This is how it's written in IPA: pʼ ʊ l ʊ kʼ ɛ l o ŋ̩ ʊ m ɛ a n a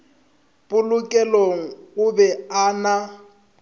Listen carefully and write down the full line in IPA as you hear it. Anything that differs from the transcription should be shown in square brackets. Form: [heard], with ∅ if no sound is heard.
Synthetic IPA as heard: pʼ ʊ l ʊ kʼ ɛ l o ŋ̩ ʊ [b] ɛ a n a